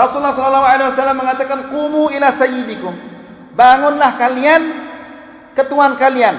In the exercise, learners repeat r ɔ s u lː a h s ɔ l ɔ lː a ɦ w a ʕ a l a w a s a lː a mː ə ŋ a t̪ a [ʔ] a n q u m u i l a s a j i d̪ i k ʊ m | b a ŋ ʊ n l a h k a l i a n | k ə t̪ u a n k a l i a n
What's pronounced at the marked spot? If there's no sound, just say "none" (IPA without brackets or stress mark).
k